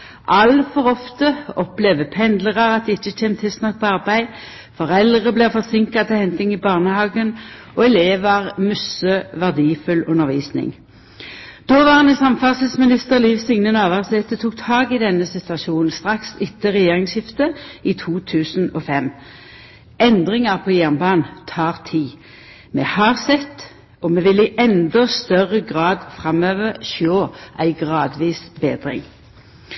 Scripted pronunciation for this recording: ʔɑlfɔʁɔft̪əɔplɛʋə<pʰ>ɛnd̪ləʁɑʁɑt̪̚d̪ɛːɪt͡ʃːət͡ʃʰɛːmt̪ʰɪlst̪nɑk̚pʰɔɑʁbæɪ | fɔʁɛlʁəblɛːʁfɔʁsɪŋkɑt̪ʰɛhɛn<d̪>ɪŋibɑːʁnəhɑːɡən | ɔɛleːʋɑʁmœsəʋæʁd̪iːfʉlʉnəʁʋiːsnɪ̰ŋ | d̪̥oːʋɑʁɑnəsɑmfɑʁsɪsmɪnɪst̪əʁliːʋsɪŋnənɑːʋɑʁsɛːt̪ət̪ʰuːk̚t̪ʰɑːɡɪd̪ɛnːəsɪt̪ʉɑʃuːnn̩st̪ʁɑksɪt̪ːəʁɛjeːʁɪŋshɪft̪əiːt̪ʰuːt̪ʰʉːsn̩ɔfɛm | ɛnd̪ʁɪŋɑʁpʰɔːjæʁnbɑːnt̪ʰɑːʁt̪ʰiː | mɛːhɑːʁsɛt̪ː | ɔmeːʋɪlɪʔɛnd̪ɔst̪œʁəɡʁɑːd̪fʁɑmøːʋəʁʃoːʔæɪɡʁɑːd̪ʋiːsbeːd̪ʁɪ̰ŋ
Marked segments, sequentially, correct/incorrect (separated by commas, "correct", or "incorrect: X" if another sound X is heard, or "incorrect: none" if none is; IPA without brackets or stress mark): correct, incorrect: t̪